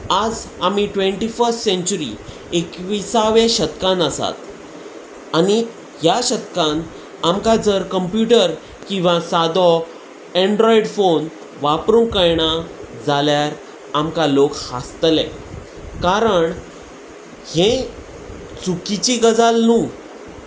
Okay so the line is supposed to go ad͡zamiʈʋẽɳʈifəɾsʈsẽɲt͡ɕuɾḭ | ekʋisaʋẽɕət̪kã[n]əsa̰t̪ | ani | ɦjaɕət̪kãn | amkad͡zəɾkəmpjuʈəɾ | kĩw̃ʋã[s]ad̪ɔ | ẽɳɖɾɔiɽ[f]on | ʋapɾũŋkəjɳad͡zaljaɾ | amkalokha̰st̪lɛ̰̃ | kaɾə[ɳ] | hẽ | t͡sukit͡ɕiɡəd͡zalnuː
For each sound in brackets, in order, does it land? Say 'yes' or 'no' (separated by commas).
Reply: yes, yes, yes, yes